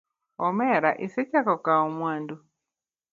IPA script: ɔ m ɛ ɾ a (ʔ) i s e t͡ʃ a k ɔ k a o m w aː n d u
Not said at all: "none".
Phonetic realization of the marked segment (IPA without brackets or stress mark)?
ʔ